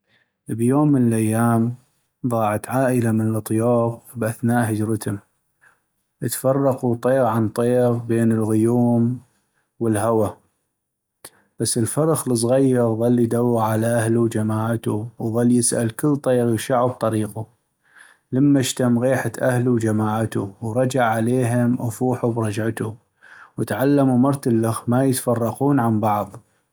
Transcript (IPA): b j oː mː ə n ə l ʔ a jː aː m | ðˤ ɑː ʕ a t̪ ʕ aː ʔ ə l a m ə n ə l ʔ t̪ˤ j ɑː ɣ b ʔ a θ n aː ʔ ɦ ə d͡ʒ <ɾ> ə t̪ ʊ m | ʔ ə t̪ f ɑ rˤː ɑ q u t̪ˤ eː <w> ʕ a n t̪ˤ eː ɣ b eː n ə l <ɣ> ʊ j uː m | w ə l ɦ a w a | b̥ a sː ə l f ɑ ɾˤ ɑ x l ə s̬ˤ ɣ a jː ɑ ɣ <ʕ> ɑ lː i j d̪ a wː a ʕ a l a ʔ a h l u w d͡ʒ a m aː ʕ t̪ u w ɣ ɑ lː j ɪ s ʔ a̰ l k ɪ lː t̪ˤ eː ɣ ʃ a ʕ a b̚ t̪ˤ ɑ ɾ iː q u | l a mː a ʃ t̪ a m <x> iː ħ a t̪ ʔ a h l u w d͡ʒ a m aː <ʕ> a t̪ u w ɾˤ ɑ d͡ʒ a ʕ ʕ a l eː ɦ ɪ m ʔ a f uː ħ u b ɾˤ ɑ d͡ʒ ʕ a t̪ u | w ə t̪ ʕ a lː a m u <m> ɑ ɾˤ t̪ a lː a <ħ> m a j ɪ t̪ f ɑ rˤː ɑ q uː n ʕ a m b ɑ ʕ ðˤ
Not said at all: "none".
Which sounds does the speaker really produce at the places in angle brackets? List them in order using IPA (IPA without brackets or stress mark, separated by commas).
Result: ɾ, ɣ, ɣ, ɣ, ɣ, ʕ, m, x